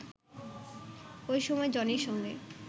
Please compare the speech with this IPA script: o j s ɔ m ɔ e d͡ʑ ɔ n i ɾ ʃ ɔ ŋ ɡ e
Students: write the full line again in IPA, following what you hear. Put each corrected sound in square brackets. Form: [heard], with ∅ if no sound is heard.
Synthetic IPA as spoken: o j [ʃ] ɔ m ɔ e d͡ʑ ɔ n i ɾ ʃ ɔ ŋ ɡ e